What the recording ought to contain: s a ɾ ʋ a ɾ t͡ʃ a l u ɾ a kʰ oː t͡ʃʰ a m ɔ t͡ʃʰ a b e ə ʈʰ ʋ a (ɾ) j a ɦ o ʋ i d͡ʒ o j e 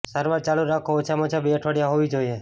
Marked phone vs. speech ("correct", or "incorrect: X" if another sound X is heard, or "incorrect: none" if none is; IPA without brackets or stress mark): incorrect: ɽ